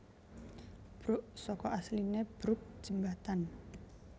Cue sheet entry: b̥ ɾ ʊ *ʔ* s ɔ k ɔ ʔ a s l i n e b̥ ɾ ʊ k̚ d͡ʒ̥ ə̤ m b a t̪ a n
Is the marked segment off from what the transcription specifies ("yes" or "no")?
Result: no